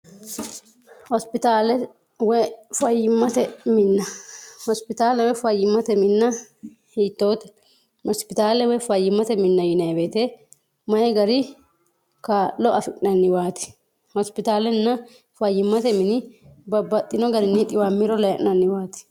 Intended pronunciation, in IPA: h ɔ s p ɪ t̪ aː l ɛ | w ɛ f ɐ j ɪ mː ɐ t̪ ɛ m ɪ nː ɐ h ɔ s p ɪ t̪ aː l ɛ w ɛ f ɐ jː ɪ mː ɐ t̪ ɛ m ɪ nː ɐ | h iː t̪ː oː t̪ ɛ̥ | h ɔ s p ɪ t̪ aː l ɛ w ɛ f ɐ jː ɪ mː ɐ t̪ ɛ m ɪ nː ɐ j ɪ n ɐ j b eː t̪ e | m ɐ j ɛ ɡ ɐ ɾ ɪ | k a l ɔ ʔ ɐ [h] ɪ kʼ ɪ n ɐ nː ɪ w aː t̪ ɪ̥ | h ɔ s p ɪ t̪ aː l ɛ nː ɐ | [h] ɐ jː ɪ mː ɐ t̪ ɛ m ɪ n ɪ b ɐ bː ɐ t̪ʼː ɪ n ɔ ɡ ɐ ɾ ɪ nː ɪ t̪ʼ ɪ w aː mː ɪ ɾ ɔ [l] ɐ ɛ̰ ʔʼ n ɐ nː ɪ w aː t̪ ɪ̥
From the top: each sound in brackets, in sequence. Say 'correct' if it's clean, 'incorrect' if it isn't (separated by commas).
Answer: incorrect, incorrect, correct